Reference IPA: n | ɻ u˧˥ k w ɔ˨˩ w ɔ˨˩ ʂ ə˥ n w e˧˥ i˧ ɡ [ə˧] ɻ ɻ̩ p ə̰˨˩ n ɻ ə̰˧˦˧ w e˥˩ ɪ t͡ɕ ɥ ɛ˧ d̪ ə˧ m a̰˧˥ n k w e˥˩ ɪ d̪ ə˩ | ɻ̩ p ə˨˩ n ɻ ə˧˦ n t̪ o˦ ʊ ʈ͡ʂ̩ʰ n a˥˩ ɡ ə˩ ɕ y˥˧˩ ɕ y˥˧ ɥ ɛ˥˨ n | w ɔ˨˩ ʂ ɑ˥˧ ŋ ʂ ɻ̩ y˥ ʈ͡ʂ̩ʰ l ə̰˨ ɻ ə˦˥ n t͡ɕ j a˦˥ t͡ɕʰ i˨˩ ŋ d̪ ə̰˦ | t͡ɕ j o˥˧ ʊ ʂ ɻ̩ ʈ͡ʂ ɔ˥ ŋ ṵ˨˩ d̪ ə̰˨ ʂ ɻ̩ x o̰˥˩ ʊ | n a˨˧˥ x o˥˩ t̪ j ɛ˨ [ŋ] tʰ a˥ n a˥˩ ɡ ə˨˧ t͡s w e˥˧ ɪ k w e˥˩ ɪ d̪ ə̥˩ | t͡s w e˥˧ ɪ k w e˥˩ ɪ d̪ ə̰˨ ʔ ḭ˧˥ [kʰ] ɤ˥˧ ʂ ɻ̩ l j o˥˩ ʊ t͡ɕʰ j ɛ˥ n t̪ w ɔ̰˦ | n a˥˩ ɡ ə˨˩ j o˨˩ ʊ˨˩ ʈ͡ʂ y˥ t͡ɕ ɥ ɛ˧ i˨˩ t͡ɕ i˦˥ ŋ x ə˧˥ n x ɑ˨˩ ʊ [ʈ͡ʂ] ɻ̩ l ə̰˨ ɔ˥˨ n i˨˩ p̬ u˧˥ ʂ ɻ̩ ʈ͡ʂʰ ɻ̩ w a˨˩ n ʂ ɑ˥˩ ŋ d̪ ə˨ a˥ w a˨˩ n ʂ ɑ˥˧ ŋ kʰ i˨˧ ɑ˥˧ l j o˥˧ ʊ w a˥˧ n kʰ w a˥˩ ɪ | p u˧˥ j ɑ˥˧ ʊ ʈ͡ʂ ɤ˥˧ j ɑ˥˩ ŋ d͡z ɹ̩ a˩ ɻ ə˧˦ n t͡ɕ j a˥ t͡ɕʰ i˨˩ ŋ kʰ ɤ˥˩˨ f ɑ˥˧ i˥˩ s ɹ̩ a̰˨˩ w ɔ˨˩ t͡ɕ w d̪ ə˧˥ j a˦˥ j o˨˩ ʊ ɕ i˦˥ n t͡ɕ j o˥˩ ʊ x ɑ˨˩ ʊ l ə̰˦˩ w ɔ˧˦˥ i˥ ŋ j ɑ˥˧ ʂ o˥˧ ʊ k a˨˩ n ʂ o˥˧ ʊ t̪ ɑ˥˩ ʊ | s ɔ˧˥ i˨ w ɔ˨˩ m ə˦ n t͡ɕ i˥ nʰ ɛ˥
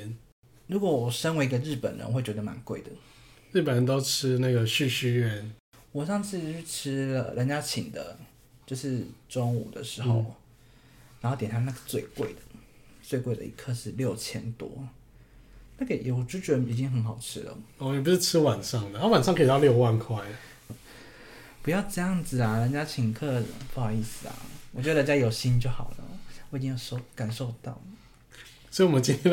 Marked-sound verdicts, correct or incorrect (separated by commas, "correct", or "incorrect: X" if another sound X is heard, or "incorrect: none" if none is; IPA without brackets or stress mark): correct, incorrect: n, correct, incorrect: ʈ͡ʂʰ